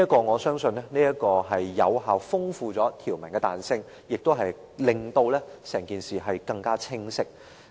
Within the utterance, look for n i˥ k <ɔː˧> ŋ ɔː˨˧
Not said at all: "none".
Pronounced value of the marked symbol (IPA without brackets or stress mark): ɔː˧